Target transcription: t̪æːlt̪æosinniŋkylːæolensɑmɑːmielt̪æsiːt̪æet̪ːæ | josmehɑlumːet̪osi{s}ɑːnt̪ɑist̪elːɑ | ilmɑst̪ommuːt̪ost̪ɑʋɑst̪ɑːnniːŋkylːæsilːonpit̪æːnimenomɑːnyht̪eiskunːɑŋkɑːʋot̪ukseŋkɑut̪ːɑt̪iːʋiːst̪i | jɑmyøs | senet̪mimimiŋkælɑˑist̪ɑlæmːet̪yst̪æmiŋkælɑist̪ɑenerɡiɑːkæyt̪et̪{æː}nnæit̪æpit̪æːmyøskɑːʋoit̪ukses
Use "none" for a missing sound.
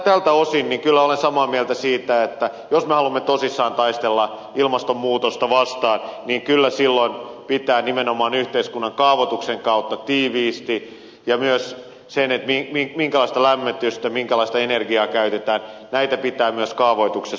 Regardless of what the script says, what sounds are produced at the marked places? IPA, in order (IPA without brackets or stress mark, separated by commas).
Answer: sː, æː